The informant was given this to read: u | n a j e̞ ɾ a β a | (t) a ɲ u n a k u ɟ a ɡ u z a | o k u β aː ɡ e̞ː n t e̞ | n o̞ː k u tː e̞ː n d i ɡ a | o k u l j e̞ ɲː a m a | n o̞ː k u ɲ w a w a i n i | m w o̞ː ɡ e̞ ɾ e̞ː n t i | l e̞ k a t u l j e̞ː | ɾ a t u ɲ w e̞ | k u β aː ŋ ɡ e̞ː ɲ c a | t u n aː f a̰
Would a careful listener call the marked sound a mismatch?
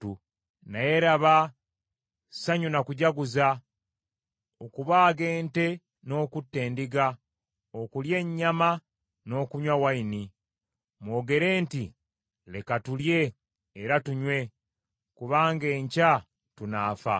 yes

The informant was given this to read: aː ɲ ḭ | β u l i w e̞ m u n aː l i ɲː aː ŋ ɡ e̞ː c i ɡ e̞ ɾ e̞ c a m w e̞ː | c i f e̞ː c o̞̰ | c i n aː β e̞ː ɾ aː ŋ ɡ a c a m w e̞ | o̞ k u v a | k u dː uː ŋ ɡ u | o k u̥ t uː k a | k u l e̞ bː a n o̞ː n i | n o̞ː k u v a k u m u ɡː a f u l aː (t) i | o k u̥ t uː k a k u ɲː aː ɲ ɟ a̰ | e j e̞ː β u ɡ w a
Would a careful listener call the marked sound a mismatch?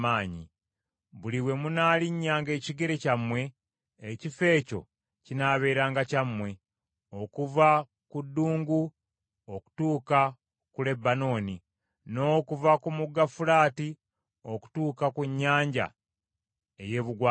no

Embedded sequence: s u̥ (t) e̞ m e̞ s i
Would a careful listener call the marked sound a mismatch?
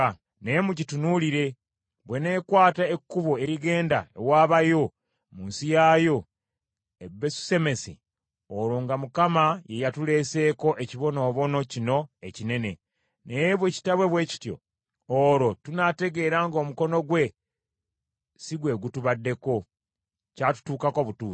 yes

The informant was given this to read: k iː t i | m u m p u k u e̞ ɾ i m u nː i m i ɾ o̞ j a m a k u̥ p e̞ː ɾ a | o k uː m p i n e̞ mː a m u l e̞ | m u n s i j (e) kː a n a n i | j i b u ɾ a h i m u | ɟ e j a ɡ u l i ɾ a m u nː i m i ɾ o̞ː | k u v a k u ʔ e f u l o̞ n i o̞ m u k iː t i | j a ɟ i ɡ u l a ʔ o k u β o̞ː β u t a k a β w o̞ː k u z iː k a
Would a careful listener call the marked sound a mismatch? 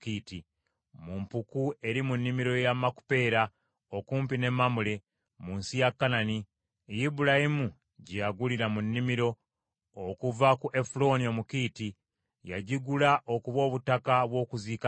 yes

